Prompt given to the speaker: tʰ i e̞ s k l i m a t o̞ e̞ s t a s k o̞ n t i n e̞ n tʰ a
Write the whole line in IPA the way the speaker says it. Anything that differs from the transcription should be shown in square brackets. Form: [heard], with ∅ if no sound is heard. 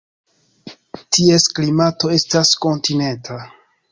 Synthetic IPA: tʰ i e̞ s k l i m a t o̞ e̞ s t a s k o̞ n t i n e̞ n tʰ a